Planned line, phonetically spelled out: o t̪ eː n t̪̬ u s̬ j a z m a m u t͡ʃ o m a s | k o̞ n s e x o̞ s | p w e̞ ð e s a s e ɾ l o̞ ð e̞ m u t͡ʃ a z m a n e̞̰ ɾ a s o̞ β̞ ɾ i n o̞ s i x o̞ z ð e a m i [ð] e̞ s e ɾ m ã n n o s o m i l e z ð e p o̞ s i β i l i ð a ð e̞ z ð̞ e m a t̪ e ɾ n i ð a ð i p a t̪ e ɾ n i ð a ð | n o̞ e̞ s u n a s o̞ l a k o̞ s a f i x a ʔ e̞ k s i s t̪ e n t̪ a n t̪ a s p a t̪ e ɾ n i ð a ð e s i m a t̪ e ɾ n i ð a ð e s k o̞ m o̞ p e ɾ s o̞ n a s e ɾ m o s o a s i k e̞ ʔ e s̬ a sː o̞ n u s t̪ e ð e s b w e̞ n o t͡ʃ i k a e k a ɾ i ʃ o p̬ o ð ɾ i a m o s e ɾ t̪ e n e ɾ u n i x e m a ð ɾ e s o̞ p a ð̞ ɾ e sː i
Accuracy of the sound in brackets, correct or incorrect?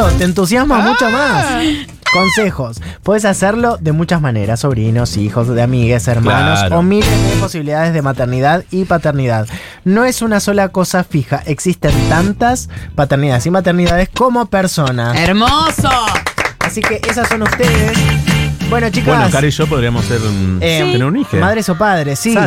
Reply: incorrect